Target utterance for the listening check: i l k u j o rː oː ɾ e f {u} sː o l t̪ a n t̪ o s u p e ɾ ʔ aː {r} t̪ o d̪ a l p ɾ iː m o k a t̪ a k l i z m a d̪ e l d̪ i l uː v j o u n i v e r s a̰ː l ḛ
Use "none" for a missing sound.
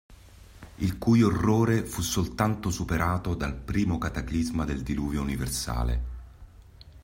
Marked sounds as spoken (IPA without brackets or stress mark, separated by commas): u, none